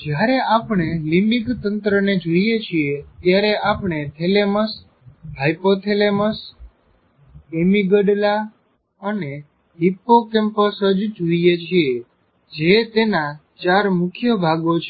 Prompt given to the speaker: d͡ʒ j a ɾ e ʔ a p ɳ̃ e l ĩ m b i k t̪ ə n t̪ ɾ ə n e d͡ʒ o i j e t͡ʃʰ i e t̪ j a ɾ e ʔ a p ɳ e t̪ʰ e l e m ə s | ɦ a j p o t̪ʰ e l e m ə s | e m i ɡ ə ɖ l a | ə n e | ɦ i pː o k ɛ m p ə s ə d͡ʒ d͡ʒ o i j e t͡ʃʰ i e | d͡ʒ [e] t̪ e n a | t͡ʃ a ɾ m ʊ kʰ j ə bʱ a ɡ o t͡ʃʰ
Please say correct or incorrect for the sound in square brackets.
correct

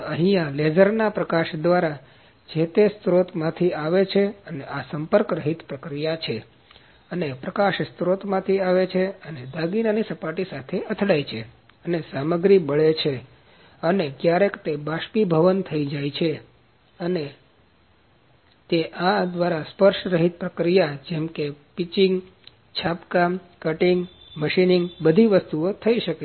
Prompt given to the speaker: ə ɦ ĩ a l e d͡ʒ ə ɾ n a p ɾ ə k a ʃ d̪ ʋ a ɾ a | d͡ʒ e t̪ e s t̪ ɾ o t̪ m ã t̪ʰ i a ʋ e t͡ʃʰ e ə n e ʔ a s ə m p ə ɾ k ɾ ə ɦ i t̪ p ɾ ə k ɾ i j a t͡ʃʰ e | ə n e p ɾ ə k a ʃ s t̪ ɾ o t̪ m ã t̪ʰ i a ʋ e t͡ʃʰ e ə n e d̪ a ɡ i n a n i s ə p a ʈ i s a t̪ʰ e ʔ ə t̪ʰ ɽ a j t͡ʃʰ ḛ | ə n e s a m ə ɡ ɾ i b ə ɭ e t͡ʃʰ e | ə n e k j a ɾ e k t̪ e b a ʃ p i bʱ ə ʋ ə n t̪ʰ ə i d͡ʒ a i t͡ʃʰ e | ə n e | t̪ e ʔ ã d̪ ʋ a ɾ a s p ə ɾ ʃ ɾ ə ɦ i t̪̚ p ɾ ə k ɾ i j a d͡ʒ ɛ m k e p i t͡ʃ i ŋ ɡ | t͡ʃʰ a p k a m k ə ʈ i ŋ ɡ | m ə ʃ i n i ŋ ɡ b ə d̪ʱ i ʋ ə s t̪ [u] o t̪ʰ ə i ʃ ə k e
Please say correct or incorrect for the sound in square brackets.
correct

